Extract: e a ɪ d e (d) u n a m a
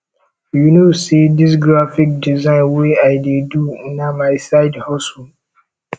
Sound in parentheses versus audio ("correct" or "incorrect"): correct